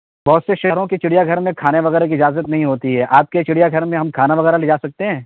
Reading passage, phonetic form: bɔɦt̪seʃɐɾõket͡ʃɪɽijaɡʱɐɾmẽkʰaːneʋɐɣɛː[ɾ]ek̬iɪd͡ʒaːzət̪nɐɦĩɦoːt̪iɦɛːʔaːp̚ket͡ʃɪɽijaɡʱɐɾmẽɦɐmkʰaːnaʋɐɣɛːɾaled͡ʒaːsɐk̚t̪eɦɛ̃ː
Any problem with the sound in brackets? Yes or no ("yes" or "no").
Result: no